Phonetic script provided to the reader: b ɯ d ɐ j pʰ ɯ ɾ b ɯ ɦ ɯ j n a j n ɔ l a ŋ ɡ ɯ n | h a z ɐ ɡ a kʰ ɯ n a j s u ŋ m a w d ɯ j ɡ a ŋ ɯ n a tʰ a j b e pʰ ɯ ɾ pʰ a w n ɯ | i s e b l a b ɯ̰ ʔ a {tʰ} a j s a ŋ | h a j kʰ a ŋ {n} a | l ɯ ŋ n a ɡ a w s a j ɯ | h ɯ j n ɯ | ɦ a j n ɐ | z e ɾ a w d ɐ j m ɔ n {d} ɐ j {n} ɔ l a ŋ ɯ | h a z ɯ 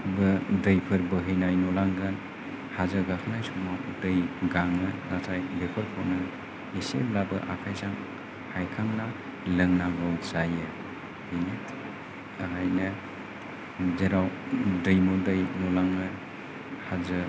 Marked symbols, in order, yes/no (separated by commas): no, yes, yes, yes